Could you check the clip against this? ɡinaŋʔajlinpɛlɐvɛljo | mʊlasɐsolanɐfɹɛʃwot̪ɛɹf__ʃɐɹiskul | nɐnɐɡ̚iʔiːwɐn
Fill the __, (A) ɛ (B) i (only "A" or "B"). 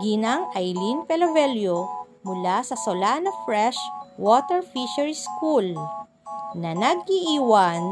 B